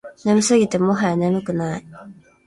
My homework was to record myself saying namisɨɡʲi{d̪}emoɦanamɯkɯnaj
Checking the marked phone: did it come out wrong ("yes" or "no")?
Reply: yes